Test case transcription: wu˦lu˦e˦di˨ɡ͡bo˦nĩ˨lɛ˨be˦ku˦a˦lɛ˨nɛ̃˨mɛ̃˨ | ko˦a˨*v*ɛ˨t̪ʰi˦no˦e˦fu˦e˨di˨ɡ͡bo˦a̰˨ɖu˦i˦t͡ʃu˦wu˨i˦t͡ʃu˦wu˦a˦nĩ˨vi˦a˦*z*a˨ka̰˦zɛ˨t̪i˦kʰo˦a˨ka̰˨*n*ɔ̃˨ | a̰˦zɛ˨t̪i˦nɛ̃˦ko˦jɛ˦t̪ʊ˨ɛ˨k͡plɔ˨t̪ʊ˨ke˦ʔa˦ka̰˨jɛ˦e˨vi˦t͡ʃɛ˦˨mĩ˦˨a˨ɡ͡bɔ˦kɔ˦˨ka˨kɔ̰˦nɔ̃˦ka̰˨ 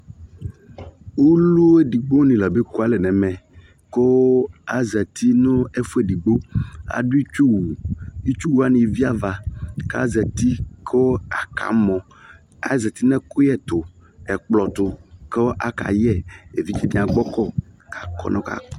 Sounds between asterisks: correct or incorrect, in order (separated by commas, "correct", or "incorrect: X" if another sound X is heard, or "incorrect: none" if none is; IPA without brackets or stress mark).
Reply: incorrect: z, incorrect: v, incorrect: m